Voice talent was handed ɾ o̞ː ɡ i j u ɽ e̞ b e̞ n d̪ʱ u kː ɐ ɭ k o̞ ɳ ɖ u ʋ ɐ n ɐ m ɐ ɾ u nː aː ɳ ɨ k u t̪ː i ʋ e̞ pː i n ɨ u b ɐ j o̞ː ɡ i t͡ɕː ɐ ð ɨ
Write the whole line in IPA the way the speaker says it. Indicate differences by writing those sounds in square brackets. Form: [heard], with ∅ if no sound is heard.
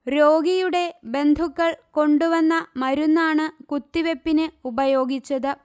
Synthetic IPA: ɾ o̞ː ɡ i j u ɽ e̞ b e̞ n d̪ʱ u kː ɐ ɭ k o̞ ɳ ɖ u ʋ ɐ [nː] ɐ m ɐ ɾ u nː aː ɳ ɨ k u t̪ː i ʋ e̞ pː i n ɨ u b ɐ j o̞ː ɡ i t͡ɕː ɐ ð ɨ